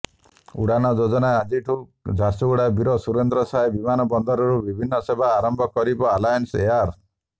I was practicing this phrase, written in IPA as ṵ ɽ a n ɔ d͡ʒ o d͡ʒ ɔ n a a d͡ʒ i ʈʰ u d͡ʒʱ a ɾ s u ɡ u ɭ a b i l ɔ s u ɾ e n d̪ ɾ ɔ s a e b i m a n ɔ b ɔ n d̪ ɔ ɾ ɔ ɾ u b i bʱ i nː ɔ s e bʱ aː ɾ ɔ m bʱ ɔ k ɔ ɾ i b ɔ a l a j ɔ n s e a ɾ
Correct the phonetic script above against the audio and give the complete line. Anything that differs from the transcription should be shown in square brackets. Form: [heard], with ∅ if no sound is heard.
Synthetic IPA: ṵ ɽ a n ɔ d͡ʒ o d͡ʒ ɔ n a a d͡ʒ i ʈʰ u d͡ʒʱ a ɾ s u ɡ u [ɽ] a b i [ɾ] ɔ s u ɾ e n d̪ ɾ ɔ s a e b i m a n ɔ b ɔ n d̪ ɔ ɾ ɔ ɾ u b i bʱ i nː ɔ s e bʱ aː ɾ ɔ m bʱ ɔ k ɔ ɾ i b ɔ a l a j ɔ n s e a ɾ